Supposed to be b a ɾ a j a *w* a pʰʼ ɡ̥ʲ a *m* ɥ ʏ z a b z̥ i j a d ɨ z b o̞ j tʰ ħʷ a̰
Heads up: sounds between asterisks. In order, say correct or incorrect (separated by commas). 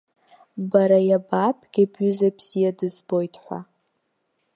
incorrect, incorrect